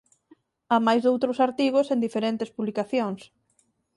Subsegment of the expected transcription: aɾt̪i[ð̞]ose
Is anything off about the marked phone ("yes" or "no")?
yes